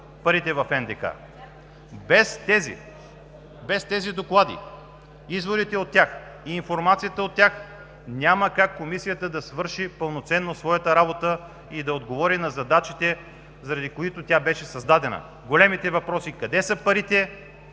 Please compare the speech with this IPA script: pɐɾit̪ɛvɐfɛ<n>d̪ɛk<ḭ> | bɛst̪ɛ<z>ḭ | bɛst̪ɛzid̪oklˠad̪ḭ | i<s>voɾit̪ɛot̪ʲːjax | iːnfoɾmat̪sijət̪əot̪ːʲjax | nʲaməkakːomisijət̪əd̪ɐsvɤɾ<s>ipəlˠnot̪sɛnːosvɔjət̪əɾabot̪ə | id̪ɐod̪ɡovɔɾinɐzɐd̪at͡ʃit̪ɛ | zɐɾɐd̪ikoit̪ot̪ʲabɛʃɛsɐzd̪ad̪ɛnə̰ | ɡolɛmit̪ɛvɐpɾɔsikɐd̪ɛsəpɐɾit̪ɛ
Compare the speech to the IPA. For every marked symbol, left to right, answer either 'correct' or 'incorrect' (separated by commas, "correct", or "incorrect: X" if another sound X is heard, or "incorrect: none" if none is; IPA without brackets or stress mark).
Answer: correct, incorrect: a̰, correct, incorrect: z, incorrect: ʃ